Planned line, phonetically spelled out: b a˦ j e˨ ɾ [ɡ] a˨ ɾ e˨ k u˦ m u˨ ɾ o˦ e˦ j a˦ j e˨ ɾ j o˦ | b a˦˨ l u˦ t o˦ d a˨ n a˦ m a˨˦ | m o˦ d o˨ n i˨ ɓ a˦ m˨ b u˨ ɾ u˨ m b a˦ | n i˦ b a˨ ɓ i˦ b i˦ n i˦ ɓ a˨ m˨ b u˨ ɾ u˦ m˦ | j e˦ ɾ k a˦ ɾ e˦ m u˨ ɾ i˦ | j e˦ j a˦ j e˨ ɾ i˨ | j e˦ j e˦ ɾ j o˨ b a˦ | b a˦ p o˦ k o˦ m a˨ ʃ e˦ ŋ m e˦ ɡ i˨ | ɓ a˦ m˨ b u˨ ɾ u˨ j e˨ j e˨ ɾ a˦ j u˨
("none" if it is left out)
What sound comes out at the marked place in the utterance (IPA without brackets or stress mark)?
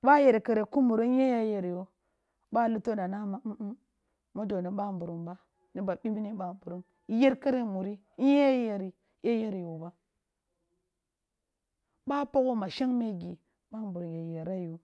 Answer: k